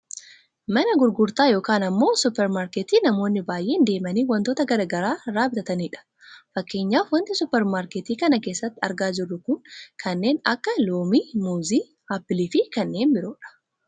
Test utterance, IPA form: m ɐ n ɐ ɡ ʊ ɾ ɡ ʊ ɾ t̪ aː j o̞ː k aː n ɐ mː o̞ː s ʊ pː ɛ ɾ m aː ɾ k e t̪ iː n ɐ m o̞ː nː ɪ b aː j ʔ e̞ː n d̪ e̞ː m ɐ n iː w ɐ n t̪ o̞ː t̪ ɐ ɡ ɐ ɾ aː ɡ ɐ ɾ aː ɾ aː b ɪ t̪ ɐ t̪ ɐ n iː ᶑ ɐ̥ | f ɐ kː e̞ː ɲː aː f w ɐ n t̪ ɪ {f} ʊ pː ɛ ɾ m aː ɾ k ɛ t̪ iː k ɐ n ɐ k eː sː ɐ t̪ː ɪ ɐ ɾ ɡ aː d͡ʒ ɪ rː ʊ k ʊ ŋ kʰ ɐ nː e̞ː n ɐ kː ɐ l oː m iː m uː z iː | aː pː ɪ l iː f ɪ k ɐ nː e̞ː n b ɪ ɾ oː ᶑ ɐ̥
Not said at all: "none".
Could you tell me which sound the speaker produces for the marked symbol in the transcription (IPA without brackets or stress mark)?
s